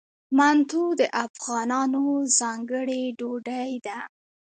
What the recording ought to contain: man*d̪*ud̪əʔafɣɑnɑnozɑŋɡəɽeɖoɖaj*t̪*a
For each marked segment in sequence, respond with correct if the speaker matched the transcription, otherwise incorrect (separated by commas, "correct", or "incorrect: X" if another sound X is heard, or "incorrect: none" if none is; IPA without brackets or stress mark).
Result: incorrect: t̪, incorrect: d̪